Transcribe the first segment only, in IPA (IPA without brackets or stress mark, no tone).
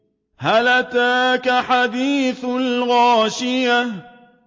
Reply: h